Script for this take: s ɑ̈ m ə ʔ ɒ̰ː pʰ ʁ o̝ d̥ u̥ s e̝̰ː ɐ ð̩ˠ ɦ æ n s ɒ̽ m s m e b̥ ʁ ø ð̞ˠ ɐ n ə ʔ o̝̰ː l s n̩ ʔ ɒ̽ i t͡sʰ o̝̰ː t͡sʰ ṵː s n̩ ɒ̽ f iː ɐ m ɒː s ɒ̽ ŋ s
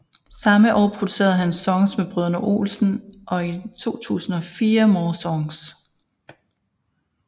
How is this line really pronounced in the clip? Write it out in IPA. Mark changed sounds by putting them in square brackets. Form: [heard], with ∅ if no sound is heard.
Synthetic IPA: s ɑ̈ m ə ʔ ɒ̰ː pʰ ʁ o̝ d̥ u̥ s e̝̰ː ɐ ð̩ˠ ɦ æ n s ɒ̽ [ŋ] s m e b̥ ʁ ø ð̞ˠ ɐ n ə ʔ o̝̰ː l s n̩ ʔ ɒ̽ i t͡sʰ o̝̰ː t͡sʰ ṵː s n̩ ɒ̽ f iː ɐ m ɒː s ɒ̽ ŋ s